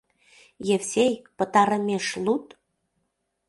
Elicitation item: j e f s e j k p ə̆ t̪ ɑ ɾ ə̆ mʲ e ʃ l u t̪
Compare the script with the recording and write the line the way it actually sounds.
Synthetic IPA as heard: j e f s e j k p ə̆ t̪ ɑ ɾ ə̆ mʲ e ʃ l u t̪